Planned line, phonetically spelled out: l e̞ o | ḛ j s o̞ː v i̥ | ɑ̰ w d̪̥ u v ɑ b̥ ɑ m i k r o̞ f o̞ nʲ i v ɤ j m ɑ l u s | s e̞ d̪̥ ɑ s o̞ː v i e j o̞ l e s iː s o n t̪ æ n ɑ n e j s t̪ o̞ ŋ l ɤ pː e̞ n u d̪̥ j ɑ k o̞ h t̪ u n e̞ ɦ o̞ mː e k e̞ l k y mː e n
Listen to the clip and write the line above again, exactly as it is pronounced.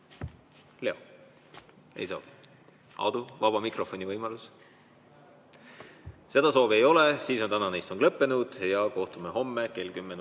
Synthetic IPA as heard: l e̞ o | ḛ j s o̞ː v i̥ | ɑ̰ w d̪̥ u v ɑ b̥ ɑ m i k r o̞ f o̞ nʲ i v ɤ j m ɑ l u s | s e̞ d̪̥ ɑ s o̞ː v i e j o̞ l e s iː s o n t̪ æ n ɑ n e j s t̪ o̞ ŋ l ɤ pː e̞ n u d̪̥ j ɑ k o̞ h t̪ u m e̞ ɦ o̞ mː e k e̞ l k y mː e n